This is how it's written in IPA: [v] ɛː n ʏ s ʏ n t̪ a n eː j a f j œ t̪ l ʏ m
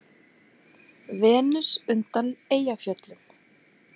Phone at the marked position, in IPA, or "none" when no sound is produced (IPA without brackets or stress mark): v